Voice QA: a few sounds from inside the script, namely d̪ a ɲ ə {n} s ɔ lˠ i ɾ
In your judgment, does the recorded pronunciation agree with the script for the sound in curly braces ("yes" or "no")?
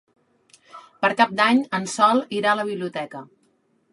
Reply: yes